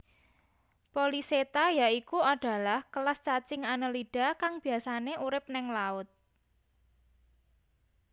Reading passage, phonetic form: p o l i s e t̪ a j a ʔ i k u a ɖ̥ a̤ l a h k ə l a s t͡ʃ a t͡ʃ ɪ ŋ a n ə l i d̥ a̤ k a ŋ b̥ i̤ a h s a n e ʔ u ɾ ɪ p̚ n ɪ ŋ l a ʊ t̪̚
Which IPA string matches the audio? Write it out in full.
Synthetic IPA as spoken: p o l i s e t̪ a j a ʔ i k u a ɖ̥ a̤ l a h k ə l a s t͡ʃ a t͡ʃ ɪ ŋ a n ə l i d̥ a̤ k a ŋ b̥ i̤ a s a n e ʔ u ɾ ɪ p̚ n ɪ ŋ l a ʊ t̪̚